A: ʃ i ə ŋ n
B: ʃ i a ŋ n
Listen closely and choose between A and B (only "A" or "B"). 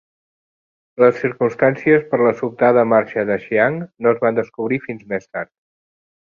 B